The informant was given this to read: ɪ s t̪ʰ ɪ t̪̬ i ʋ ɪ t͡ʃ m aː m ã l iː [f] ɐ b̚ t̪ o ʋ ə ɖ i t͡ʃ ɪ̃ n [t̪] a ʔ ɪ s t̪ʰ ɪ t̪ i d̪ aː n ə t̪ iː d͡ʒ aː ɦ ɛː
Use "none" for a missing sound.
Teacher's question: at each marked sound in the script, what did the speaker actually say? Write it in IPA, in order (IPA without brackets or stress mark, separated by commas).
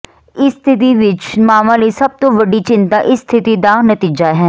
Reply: s, t̪